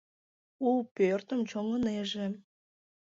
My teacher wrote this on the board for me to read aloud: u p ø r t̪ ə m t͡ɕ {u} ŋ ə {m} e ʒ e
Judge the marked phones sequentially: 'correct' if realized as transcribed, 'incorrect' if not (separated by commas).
incorrect, incorrect